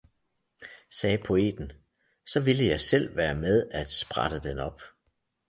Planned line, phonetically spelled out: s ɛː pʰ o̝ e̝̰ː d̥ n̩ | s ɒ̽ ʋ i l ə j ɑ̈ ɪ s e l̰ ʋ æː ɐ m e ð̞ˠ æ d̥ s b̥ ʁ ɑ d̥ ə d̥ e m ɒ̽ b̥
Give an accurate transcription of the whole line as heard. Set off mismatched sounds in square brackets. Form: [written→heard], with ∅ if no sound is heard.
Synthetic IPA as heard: s ɛː pʰ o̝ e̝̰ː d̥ n̩ | s ɒ̽ ʋ i l ə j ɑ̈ ɪ s e l̰ ʋ æː ɐ m e ð̞ˠ æ d̥ s b̥ ʁ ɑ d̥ ə d̥ e [m→n] ɒ̽ b̥